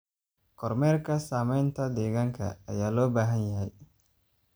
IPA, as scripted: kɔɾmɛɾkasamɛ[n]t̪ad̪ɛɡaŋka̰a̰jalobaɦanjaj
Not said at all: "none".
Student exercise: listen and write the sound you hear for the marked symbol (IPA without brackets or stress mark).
n